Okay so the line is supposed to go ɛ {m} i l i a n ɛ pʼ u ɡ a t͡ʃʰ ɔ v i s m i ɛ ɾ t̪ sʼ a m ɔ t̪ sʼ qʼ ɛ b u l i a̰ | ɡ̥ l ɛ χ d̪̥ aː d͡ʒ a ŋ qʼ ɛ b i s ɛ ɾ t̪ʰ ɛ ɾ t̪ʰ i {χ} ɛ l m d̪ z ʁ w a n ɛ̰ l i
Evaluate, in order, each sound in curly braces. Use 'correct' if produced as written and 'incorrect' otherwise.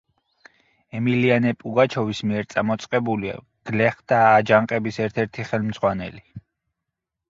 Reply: correct, correct

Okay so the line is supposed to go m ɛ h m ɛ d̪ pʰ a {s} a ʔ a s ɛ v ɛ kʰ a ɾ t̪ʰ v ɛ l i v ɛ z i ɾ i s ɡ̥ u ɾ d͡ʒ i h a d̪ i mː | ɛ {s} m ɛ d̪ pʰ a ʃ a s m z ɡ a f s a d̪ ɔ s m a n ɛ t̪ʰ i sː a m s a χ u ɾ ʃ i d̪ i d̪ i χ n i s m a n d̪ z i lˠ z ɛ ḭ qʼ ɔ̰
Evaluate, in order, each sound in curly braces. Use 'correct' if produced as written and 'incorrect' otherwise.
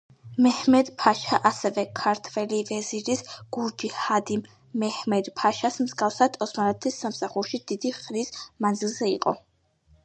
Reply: incorrect, incorrect

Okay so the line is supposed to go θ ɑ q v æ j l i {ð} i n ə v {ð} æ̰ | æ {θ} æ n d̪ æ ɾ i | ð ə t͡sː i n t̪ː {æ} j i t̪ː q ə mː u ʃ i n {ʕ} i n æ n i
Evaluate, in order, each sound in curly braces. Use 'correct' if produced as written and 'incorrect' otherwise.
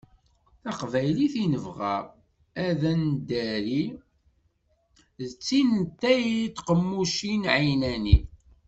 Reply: incorrect, incorrect, incorrect, correct, correct

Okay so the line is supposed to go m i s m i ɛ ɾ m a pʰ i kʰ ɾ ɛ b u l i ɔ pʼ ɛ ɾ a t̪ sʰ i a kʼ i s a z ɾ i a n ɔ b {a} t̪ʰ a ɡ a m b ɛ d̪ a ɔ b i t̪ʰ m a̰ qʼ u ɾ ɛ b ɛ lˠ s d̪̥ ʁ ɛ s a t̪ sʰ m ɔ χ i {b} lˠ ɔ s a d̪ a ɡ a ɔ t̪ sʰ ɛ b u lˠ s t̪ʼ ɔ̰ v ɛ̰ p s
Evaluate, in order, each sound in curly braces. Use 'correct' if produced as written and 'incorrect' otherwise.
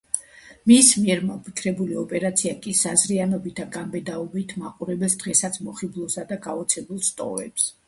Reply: incorrect, correct

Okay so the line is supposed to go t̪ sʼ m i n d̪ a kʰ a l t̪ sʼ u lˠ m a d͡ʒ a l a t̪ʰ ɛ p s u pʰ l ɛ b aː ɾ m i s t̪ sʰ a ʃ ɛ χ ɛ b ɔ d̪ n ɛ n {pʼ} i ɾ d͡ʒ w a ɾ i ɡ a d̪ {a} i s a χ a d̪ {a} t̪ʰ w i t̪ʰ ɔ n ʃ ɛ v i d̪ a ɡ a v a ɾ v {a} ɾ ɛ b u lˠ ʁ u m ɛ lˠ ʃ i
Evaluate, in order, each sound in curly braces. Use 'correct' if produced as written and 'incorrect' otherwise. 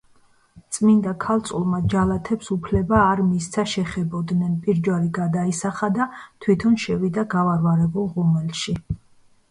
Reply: correct, correct, correct, correct

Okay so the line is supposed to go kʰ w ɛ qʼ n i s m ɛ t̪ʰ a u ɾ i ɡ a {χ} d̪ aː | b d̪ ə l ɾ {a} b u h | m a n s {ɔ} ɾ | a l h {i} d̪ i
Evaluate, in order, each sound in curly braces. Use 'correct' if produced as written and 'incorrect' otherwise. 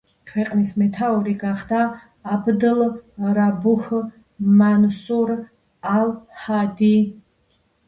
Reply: correct, correct, incorrect, incorrect

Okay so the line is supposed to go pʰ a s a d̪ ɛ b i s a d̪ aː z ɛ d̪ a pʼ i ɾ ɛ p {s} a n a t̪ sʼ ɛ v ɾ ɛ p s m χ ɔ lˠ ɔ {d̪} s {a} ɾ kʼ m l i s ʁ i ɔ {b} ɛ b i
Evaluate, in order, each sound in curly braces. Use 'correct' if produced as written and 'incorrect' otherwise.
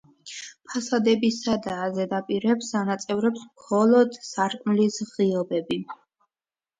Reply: correct, correct, correct, correct

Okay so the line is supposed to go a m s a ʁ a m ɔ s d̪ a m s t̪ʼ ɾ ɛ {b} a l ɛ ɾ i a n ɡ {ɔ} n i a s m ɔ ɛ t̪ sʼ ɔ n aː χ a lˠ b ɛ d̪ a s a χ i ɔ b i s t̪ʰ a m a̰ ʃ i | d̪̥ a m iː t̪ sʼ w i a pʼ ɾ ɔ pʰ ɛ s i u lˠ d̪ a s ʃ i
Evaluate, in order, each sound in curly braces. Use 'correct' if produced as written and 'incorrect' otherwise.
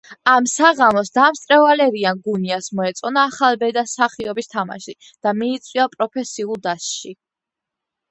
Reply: incorrect, incorrect

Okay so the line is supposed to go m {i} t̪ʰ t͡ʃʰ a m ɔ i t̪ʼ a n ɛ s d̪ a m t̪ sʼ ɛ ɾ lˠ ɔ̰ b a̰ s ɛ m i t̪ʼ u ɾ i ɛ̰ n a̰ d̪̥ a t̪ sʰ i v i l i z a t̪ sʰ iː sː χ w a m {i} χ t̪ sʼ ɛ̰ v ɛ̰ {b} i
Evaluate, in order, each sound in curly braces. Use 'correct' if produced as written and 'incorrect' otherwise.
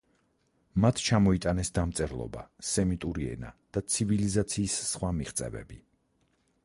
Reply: incorrect, correct, correct

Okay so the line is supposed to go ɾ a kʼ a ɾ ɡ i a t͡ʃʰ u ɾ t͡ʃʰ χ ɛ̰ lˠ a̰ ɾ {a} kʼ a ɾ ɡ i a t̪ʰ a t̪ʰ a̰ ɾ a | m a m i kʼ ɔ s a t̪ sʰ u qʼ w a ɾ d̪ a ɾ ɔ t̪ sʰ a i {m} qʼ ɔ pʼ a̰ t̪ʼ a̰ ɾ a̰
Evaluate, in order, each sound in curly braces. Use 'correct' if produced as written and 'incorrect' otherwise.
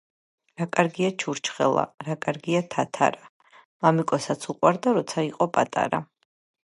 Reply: correct, incorrect

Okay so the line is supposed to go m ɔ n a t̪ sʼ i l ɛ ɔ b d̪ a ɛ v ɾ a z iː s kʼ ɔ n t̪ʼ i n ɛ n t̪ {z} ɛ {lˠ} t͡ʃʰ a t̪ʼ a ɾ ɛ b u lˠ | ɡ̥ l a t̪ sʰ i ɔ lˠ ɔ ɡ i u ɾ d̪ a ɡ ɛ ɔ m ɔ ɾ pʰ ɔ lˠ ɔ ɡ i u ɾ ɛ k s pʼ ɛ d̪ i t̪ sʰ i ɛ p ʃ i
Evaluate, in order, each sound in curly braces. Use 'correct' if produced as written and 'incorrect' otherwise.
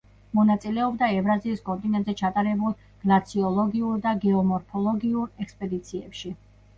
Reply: correct, incorrect

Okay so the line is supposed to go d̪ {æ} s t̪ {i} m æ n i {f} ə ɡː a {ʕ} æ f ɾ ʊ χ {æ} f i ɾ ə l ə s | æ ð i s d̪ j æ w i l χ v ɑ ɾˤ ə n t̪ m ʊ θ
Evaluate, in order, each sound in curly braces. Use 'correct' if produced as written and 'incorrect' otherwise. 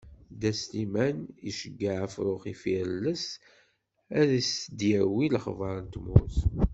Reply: correct, correct, incorrect, correct, incorrect

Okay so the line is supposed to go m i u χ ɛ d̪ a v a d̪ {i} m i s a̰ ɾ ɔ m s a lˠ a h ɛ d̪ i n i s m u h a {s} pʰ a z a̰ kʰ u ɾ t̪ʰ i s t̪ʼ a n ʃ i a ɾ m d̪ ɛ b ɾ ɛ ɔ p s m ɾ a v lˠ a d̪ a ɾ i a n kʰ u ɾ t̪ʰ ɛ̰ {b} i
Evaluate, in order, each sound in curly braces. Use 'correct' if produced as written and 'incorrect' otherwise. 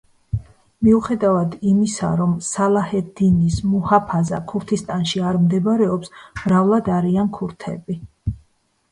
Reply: correct, incorrect, correct

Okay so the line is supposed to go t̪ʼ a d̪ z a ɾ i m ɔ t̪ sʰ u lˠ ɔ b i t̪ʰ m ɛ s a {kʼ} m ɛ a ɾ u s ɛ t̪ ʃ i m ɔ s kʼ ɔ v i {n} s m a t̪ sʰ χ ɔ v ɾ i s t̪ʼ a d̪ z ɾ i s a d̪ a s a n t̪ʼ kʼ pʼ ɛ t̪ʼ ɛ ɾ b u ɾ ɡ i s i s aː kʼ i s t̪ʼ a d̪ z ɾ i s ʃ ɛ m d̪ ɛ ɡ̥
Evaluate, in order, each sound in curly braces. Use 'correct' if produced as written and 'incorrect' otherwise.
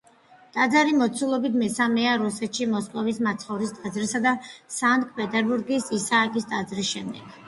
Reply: incorrect, incorrect

